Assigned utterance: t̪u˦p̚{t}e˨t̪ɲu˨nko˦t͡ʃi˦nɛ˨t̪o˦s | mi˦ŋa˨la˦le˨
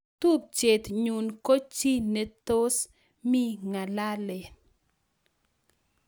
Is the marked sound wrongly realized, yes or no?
yes